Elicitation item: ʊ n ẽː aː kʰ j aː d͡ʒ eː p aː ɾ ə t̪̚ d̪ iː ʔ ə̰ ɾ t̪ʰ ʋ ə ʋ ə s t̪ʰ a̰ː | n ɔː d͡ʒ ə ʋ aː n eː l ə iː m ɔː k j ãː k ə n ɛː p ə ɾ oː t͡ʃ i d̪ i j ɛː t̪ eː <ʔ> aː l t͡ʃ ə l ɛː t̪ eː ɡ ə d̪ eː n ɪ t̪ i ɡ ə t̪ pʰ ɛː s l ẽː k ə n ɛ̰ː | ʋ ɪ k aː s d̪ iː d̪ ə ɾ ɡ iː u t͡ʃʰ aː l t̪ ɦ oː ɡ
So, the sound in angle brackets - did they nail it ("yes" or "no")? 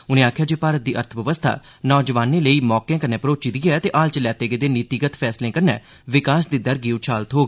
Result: yes